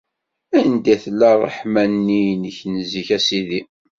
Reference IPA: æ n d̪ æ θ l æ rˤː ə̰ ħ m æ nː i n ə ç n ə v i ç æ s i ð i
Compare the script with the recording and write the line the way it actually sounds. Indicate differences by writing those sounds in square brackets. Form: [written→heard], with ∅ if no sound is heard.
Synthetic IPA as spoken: æ n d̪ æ θ l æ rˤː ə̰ ħ m æ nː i n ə ç n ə [v→z] i ç æ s i ð i